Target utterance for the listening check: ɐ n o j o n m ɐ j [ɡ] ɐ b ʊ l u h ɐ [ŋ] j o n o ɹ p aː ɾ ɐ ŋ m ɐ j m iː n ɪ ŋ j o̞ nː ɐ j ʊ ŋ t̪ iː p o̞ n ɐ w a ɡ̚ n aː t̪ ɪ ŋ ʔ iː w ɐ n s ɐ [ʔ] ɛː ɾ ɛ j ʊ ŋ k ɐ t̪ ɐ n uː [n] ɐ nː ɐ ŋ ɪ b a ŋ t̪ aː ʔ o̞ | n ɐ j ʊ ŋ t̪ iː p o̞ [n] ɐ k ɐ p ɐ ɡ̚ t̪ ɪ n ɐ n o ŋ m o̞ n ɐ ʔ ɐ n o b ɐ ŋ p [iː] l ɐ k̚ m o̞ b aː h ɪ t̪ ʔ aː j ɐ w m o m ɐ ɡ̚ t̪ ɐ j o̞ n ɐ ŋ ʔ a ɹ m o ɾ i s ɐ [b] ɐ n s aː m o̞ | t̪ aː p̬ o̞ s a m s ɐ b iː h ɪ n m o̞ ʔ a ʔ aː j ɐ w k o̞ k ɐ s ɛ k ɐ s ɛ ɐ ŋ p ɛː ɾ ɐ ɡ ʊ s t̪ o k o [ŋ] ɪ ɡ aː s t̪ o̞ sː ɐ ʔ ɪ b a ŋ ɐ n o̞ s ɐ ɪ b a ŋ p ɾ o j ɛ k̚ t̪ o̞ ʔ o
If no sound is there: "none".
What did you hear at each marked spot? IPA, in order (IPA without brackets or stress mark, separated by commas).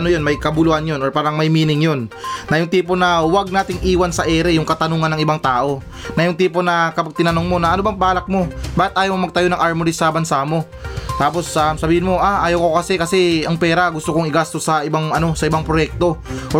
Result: k, n, ʔ, ŋ, n, aː, b, ŋ